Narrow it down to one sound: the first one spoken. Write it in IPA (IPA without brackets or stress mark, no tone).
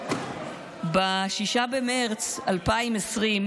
b